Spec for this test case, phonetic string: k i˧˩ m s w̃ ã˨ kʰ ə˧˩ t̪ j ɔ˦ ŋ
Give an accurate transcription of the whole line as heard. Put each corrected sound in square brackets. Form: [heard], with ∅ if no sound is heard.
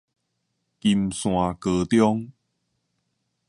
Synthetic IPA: k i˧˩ m s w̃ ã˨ [k] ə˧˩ t̪ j ɔ˦ ŋ

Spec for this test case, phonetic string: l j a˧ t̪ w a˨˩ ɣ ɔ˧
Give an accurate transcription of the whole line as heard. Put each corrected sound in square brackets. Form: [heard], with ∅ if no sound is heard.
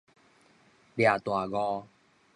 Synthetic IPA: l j [a˨˩] t̪ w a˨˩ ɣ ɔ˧

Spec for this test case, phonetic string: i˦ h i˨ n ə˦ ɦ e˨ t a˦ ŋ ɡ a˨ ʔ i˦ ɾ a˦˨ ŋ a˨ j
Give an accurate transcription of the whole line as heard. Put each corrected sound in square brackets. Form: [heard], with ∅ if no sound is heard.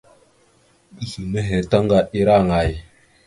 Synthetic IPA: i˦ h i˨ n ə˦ ɦ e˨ t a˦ ŋ ɡ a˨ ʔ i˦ ɾ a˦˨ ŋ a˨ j

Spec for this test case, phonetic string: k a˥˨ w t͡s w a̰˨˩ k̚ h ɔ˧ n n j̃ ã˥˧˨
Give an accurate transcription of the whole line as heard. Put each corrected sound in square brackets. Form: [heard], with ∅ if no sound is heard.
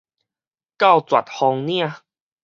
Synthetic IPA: k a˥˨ w t͡s w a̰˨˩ [t̚] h ɔ˧ [ŋ] n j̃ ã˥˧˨

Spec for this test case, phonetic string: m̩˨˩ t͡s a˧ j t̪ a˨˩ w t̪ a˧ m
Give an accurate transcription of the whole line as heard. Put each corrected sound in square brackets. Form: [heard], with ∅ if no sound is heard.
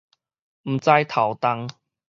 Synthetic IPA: m̩˨˩ t͡s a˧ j [t̪ʰ] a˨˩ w t̪ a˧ [ŋ]

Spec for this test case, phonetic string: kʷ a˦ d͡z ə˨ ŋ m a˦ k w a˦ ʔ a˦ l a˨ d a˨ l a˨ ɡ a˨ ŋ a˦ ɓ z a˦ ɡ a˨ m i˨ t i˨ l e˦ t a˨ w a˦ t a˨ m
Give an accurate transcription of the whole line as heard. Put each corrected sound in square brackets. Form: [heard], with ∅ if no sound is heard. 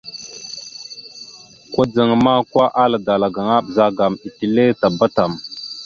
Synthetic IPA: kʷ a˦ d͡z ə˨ ŋ m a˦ k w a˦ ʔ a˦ l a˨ d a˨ l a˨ ɡ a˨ ŋ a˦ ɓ z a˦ ɡ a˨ m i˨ t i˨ l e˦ t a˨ [b] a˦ t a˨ m

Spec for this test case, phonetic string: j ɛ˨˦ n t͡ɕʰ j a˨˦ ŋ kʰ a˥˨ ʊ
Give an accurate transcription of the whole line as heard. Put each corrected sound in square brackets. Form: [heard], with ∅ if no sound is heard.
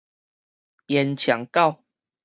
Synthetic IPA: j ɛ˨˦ n t͡ɕʰ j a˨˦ ŋ [k] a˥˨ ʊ

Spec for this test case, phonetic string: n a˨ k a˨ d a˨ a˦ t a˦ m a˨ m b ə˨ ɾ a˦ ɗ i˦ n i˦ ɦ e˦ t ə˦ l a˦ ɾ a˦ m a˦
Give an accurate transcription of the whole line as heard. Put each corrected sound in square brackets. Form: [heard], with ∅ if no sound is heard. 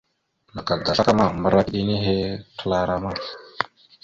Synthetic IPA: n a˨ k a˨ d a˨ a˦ [k] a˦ m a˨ m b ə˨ ɾ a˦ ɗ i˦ n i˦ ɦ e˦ t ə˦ l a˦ ɾ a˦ m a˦

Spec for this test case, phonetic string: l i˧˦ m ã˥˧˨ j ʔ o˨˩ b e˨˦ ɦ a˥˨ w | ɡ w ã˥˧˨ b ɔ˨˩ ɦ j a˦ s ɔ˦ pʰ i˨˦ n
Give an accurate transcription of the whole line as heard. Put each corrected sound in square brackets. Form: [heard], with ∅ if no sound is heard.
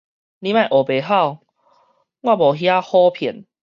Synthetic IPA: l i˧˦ m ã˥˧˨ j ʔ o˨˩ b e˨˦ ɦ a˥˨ w | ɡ w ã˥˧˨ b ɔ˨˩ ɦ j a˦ [h] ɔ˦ pʰ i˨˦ n

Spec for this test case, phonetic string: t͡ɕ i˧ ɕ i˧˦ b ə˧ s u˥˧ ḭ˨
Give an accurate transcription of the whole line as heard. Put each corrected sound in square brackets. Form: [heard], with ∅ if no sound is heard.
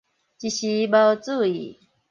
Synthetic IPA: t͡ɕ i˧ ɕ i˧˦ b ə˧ [t͡s] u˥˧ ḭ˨

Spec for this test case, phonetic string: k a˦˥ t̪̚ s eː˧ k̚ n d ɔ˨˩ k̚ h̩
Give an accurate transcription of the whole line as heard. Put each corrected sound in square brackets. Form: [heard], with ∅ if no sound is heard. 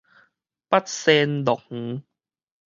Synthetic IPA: [p] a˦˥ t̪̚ s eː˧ [∅] n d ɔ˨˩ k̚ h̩

